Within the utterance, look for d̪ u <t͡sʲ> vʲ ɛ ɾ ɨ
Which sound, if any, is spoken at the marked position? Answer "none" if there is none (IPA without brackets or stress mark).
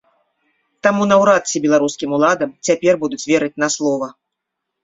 t͡sʲ